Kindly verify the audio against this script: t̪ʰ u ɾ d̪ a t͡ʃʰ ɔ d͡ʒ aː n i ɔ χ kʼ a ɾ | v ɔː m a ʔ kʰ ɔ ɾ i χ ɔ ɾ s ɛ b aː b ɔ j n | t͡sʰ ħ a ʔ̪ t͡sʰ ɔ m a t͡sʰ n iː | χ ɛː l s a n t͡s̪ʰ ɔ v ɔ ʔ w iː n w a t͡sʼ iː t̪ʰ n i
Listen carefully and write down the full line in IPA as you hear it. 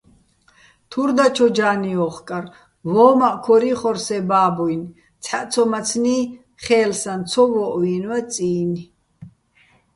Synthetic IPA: t̪ʰ u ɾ d̪ a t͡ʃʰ ɔ d͡ʒ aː n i ɔ χ kʼ a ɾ | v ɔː m a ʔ kʰ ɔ ɾ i χ ɔ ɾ s ɛ b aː b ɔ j n | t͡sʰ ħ a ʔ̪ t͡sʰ ɔ m a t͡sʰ n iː | χ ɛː l s a n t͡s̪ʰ ɔ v ɔ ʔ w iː n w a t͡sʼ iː n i